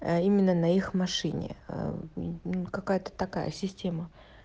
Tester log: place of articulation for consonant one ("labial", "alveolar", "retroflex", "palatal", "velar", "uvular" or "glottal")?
labial